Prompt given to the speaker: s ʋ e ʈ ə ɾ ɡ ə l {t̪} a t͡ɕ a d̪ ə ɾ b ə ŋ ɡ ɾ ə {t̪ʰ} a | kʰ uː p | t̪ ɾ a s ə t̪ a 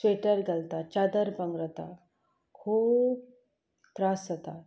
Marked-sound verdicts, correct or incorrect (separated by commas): correct, incorrect